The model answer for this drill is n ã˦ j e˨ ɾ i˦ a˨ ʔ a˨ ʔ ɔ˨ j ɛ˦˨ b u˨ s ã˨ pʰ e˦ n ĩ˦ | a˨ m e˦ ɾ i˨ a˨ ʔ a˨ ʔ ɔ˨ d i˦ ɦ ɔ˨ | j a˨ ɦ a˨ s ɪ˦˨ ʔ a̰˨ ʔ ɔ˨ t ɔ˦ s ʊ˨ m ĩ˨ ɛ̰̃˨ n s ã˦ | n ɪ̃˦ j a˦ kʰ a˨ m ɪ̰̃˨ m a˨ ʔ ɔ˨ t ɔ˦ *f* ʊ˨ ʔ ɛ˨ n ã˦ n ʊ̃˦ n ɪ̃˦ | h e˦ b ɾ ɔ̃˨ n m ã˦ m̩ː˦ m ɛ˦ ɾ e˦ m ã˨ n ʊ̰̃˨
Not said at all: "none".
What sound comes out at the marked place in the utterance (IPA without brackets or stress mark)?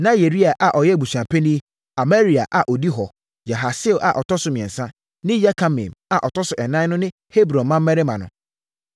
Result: s